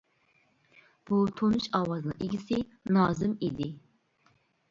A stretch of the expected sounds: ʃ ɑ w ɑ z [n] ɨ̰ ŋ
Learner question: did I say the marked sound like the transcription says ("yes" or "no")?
yes